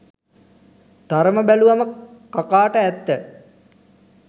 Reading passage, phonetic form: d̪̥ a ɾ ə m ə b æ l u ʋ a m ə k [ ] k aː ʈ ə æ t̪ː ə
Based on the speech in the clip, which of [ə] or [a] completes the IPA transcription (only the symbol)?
a